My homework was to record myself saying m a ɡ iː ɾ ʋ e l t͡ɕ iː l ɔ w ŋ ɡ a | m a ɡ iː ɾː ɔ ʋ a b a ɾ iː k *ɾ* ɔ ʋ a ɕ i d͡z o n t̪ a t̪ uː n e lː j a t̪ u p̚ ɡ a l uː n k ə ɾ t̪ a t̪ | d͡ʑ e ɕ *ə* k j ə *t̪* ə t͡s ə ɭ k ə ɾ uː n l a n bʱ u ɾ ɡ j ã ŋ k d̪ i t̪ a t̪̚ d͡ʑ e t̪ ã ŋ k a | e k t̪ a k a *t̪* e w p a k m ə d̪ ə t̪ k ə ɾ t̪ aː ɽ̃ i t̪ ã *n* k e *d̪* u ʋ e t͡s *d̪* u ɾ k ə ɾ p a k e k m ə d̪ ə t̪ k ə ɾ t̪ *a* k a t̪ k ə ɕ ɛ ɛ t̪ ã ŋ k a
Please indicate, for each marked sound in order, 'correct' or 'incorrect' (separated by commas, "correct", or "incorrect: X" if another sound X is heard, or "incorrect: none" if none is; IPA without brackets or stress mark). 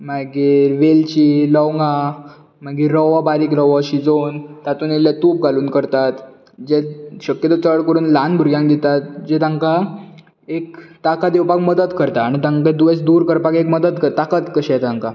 correct, correct, correct, incorrect: d̪, incorrect: ŋ, correct, correct, correct